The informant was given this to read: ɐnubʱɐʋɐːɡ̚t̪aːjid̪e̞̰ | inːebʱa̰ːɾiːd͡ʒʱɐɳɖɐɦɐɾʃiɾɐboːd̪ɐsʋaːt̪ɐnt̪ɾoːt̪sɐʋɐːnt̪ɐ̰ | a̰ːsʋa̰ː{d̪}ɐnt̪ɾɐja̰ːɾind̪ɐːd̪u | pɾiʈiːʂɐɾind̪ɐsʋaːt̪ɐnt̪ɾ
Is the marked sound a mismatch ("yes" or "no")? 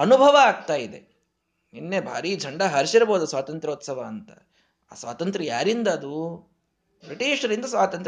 yes